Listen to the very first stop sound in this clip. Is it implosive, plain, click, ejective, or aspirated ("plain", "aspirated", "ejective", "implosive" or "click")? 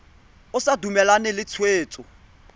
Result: plain